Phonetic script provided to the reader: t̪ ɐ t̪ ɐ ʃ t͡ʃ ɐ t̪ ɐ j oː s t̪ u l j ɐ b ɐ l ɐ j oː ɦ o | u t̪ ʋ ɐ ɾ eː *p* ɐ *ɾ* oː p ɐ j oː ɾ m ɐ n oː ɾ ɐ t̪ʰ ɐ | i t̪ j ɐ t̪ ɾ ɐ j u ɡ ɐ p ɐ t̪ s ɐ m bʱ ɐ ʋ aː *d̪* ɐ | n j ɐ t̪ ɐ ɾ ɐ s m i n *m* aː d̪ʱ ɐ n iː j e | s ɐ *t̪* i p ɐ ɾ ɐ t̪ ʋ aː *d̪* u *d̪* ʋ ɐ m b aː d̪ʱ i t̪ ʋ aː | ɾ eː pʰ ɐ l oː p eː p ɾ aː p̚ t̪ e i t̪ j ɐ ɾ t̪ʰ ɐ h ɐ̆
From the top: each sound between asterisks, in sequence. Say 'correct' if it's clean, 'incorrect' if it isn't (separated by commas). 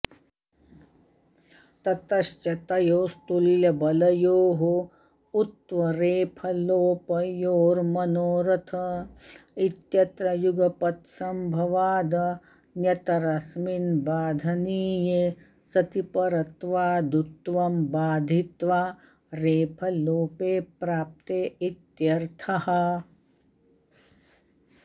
incorrect, incorrect, correct, incorrect, correct, correct, incorrect